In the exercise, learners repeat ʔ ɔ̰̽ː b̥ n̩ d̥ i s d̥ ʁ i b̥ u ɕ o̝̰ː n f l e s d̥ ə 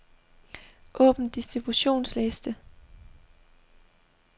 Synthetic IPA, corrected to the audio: ʔ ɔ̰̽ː b̥ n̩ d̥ i s d̥ ʁ i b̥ u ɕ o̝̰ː n s l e s d̥ ə